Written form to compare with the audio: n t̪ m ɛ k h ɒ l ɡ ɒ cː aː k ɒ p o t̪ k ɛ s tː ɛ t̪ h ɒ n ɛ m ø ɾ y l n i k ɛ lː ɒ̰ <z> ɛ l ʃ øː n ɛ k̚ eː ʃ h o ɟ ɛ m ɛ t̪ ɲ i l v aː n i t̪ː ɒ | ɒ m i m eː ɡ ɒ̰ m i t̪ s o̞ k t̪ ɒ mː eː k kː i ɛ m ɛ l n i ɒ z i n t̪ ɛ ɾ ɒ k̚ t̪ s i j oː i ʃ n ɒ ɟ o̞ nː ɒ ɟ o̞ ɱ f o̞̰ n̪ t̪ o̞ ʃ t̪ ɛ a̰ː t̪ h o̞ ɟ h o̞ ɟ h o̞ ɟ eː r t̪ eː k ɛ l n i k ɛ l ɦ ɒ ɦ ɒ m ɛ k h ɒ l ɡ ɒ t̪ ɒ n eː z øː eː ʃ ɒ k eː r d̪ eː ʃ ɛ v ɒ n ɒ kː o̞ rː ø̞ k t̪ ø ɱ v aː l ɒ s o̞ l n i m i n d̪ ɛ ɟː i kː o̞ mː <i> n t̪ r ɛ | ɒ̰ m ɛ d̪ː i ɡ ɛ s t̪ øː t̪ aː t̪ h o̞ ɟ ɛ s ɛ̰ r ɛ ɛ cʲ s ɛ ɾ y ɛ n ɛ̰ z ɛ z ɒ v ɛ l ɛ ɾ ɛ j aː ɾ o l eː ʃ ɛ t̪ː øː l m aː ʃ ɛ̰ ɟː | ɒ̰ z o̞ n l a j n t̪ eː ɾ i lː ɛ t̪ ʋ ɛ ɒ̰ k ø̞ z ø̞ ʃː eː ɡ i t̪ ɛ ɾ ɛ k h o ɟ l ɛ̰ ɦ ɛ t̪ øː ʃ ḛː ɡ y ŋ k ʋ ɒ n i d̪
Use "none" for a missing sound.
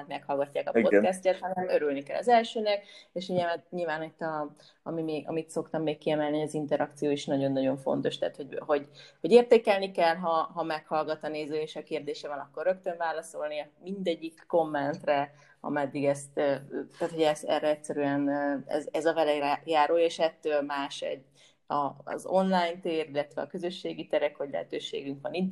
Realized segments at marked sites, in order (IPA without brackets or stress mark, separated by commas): z, ɛ